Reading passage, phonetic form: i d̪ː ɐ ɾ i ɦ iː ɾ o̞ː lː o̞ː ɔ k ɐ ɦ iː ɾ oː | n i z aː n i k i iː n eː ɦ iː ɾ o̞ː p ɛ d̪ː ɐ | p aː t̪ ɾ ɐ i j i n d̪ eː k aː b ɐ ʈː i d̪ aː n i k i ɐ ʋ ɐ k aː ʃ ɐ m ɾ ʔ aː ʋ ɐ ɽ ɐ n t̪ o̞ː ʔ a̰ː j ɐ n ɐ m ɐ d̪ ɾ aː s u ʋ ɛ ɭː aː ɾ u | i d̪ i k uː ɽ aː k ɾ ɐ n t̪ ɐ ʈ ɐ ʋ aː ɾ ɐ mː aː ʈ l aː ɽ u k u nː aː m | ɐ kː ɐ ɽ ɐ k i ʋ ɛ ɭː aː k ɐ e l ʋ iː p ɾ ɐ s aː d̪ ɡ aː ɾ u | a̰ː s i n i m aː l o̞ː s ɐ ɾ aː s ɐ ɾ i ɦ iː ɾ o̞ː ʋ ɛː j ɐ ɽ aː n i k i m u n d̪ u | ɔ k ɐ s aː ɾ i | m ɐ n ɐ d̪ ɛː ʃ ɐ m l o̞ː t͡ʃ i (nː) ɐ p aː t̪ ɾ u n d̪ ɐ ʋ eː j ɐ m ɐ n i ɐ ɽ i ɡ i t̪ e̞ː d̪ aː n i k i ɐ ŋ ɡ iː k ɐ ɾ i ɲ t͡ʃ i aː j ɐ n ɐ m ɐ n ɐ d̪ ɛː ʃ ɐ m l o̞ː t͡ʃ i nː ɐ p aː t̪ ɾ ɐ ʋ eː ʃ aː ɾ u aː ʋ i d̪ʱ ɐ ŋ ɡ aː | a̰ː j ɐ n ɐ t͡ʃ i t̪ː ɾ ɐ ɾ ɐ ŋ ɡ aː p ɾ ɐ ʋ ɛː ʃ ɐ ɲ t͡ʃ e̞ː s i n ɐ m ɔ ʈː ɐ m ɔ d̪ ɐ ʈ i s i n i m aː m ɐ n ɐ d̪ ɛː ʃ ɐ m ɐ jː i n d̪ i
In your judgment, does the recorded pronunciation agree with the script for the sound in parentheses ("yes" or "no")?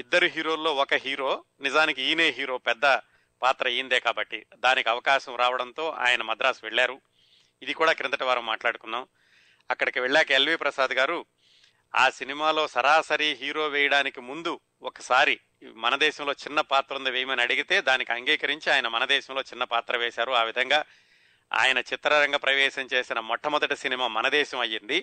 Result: yes